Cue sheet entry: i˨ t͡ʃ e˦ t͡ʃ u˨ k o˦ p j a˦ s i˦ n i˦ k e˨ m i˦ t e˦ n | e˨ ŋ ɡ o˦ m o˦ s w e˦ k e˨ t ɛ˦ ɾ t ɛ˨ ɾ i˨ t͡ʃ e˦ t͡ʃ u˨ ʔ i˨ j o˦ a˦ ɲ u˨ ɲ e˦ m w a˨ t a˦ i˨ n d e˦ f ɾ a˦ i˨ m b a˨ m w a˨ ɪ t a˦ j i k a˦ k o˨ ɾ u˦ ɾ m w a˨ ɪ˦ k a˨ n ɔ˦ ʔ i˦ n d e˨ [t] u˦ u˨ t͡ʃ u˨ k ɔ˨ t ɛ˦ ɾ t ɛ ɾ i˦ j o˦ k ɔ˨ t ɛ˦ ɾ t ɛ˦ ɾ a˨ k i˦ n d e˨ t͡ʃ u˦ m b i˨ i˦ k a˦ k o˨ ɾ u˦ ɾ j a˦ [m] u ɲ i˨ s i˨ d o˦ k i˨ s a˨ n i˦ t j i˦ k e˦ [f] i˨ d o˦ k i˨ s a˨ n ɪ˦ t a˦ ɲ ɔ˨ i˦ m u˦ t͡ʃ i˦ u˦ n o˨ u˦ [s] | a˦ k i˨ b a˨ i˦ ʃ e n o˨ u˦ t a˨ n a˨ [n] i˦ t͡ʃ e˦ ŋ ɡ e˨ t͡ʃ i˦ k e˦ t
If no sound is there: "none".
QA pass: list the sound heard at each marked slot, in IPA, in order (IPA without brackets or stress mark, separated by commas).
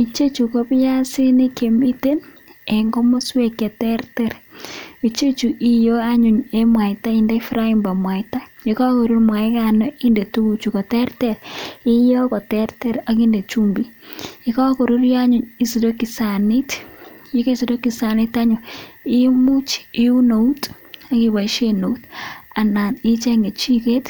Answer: t, ɲ, s, t, n